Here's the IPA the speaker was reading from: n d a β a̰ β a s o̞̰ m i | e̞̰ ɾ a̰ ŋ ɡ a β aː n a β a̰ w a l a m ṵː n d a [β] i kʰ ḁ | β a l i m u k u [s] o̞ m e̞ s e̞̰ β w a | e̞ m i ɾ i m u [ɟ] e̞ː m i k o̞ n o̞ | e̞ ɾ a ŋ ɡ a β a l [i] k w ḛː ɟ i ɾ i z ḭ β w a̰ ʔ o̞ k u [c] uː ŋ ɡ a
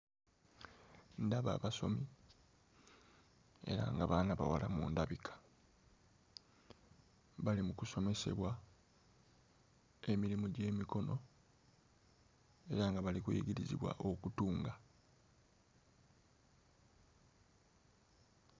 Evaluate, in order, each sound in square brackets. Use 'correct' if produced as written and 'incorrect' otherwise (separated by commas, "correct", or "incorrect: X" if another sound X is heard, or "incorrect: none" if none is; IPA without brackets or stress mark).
correct, correct, correct, correct, incorrect: t